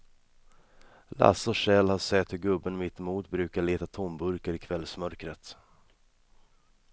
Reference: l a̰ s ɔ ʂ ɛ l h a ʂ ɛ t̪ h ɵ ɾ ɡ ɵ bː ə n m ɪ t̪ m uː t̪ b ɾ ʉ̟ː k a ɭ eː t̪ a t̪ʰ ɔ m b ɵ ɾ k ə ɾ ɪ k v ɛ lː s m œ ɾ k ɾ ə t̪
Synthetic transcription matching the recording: l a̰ s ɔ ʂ ɛ l h a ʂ ɛ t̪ h ɵ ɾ ɡ ɵ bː ə n m ɪ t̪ m uː t̪ b ɾ ʉ̟ː k a ɭ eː t̪ a t̪ʰ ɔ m b ɵ ɾ k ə ɾ ɪ kʰ v ɛ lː s m œ ɾ k ɾ ə t̪